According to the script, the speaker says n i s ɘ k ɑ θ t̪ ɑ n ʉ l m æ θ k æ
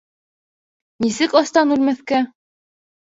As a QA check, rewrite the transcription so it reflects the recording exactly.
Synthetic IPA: n i s ɘ k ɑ s t̪ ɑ n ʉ l m æ θ k æ